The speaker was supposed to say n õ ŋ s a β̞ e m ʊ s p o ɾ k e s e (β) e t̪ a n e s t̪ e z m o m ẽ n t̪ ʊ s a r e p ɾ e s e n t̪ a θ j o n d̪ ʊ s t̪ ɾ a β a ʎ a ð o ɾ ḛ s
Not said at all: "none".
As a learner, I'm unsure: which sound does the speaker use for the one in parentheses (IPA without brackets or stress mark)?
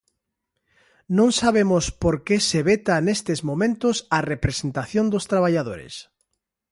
β